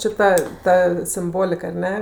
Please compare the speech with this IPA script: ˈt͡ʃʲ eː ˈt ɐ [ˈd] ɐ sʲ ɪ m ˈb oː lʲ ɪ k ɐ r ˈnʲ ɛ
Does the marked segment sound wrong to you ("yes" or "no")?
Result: yes